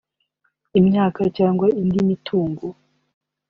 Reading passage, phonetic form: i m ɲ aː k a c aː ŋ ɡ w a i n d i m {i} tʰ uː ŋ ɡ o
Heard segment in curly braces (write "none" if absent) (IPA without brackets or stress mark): i